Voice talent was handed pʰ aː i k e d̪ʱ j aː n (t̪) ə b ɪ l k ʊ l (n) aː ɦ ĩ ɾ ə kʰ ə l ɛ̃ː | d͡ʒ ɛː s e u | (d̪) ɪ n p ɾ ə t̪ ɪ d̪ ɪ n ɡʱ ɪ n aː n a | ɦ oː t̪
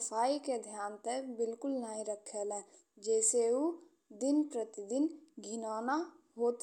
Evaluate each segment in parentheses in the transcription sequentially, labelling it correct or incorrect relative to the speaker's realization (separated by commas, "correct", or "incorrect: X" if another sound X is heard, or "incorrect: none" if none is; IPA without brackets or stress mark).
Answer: correct, correct, correct